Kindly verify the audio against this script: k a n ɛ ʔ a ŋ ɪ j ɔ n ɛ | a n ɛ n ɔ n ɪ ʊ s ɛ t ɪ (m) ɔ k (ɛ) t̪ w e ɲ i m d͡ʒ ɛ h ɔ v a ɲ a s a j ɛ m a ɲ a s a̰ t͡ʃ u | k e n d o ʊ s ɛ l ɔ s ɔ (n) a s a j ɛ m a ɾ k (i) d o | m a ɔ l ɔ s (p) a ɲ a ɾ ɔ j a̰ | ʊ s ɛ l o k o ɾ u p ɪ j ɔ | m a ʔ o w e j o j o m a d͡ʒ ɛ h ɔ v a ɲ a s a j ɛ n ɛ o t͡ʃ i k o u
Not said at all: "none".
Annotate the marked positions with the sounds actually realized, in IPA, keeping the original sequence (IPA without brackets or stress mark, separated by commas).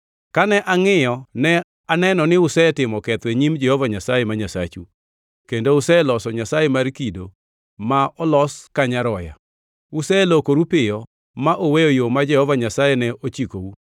m, ɛ, ɲ, i, k